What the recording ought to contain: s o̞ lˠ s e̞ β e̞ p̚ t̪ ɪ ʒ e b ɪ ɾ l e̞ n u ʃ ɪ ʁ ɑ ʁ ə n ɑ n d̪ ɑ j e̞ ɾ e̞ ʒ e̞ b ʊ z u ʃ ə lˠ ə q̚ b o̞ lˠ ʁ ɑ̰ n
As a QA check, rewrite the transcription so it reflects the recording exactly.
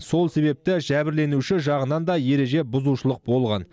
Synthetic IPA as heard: s o̞ lˠ s e̞ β e̞ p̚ t̪ ɪ ʒ æ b ɪ ɾ l e̞ n u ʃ ɪ ʒ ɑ ʁ ə n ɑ n d̪ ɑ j e̞ ɾ e̞ ʒ e̞ b ʊ z u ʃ ə lˠ ə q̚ b o̞ lˠ ʁ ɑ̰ n